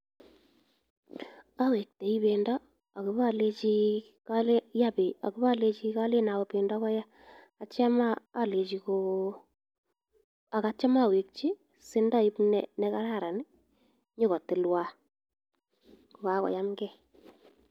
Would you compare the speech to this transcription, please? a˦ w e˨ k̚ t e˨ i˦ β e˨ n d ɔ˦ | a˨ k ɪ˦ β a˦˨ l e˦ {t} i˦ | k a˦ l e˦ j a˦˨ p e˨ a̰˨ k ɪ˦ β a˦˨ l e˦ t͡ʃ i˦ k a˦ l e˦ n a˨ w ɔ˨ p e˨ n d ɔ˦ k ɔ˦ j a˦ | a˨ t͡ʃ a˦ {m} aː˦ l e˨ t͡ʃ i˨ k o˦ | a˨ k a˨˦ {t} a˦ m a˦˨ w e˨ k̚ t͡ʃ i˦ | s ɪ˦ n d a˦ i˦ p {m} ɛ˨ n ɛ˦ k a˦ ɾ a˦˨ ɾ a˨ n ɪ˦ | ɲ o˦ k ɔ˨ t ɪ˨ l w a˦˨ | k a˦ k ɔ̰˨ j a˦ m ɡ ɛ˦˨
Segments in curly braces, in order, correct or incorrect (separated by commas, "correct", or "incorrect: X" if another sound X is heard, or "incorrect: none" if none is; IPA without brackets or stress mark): incorrect: t͡ʃ, correct, incorrect: t͡ʃ, incorrect: n